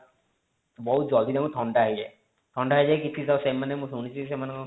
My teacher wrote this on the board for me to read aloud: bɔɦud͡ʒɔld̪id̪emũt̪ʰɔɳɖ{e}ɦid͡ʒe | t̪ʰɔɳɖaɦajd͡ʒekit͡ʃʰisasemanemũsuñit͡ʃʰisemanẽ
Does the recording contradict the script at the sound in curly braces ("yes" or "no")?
yes